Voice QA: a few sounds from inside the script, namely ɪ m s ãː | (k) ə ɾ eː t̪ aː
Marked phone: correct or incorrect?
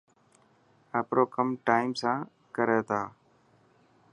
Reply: correct